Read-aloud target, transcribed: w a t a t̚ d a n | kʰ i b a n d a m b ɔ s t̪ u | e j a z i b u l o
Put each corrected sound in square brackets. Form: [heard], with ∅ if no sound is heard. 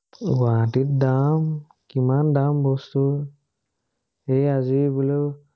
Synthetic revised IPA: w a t [i] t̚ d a [m] | [k] i [m] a n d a m b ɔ s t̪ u | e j a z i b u l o